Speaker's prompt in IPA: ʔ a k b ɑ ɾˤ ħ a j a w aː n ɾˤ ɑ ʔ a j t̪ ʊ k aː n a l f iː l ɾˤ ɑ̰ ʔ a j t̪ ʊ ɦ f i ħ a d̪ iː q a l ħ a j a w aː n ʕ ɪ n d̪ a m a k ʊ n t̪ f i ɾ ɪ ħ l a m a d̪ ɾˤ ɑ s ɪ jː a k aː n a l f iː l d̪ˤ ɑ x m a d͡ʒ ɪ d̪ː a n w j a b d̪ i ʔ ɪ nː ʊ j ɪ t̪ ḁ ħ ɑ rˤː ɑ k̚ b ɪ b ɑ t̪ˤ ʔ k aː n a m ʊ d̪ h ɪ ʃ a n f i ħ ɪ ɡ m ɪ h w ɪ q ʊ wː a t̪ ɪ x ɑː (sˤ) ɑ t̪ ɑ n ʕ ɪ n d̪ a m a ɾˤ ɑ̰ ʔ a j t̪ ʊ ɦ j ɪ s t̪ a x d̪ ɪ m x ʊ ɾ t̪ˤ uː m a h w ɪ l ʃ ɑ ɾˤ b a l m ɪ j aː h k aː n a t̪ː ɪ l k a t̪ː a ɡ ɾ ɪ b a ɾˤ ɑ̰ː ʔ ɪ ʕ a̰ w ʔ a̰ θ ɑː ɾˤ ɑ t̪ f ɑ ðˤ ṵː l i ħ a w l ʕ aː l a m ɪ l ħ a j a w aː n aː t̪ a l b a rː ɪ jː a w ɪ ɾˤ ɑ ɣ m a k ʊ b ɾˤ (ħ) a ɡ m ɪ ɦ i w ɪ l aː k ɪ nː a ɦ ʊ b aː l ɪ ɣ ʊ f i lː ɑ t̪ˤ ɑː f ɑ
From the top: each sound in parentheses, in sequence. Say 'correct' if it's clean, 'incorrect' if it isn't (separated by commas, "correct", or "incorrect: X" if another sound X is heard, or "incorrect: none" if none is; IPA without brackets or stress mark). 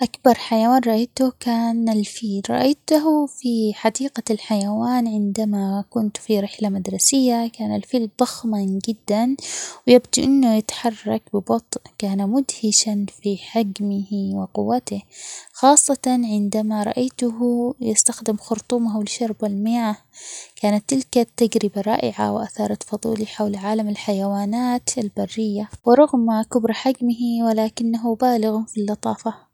incorrect: sˤː, correct